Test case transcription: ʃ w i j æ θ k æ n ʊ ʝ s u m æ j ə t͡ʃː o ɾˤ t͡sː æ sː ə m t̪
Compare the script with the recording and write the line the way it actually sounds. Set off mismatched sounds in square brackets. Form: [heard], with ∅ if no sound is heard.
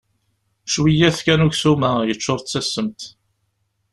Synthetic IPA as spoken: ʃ w i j æ θ k æ n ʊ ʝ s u m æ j ə t͡ʃː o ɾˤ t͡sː æ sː ə m t̪